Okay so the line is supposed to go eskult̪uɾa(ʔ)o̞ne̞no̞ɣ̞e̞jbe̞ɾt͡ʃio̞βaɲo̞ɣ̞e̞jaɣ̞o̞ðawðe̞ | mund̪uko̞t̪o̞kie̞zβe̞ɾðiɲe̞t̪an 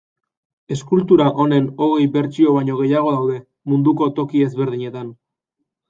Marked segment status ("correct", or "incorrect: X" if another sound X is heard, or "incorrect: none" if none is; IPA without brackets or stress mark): correct